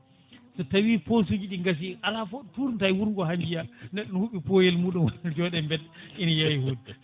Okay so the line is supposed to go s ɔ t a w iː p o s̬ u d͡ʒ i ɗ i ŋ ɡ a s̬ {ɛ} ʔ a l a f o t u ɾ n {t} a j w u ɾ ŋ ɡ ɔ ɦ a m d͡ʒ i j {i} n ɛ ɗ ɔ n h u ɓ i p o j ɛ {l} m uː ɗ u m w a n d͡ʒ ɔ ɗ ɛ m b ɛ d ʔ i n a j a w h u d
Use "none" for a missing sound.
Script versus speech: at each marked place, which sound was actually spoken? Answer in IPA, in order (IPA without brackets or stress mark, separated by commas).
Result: i, t, a, l